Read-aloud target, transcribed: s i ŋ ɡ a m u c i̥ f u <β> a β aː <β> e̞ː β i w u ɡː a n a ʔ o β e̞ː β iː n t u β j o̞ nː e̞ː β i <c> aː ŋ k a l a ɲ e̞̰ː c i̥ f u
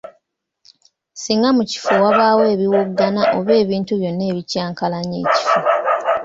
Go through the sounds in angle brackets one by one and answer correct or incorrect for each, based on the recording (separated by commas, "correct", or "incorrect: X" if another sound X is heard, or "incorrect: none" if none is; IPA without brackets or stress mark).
incorrect: w, incorrect: w, correct